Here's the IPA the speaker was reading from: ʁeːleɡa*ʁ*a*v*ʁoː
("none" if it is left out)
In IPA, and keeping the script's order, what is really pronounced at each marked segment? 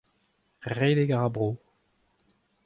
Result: ʁ, b

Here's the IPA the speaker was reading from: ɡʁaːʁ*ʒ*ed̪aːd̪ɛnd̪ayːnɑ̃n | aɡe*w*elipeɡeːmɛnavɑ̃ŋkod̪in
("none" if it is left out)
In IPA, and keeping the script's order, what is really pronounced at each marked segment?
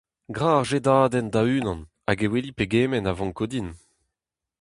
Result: ʒ, w

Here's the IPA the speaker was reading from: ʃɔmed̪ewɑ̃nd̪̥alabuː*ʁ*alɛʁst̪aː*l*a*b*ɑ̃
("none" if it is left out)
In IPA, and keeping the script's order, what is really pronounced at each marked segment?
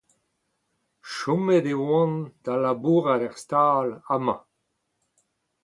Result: ʁ, l, m

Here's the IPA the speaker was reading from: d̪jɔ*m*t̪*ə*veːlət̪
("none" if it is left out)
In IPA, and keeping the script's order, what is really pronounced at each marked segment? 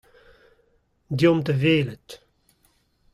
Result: m, ə

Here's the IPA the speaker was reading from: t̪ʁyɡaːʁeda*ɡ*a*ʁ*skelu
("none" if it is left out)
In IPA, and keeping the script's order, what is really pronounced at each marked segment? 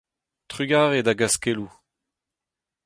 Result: ɡ, none

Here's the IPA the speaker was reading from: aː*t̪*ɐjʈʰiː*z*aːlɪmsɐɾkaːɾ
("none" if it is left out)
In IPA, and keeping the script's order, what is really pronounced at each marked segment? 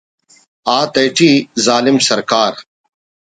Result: t̪, z

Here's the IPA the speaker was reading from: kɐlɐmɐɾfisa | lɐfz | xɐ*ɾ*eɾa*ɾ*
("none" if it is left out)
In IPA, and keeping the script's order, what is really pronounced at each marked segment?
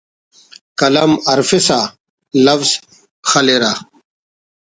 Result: l, none

